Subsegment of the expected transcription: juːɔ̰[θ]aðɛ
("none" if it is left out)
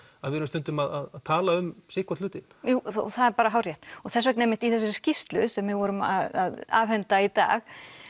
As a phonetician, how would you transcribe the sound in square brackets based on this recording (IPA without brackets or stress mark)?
θ